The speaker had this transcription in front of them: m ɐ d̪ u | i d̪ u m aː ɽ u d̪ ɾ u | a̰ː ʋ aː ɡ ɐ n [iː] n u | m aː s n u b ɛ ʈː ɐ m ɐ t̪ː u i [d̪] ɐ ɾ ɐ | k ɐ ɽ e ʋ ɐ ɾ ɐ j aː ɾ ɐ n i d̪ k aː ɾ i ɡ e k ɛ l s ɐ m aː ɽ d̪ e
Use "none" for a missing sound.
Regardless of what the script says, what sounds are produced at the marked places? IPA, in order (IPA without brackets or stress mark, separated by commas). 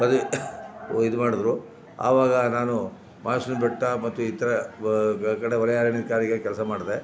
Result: aː, t̪